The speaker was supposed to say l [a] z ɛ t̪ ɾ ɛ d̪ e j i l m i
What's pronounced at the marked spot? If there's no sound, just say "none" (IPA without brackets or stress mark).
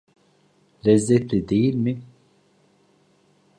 ɛ